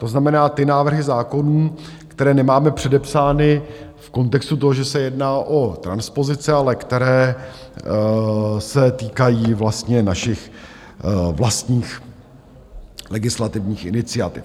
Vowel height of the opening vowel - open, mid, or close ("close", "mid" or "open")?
mid